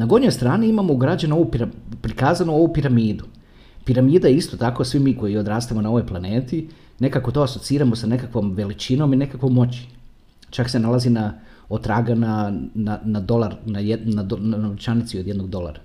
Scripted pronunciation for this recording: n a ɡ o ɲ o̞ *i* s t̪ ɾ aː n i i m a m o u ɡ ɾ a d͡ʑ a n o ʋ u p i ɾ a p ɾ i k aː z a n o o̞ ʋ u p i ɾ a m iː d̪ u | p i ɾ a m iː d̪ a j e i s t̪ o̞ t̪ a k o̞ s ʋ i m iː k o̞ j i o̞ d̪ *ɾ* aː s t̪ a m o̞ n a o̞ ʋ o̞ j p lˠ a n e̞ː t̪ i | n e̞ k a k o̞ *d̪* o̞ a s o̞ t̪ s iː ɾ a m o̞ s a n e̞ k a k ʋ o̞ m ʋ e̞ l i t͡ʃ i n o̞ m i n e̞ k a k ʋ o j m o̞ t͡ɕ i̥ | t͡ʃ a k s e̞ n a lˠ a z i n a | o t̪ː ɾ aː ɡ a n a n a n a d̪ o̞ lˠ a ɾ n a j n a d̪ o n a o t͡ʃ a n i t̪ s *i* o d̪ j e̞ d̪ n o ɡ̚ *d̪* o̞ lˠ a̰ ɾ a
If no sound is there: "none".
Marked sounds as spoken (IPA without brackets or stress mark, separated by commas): j, ɾ, t̪, i, d̪